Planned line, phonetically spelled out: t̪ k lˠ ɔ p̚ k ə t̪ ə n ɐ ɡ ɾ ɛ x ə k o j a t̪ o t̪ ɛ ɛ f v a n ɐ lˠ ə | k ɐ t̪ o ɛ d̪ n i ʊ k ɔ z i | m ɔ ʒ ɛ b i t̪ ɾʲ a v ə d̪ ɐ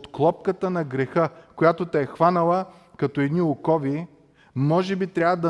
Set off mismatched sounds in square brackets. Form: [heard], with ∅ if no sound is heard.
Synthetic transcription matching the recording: t̪ k lˠ ɔ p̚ k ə t̪ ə n ɐ ɡ ɾ ɛ x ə k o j a t̪ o t̪ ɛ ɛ [x] v a n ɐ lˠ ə | k ɐ t̪ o ɛ d̪ n i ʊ k ɔ [v] i | m ɔ ʒ ɛ b i t̪ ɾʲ a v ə d̪ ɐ